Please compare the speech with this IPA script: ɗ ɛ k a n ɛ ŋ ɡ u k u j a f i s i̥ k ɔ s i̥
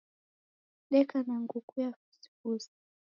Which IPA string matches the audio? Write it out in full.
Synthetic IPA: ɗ ɛ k a n a ŋ ɡ u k u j a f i s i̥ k u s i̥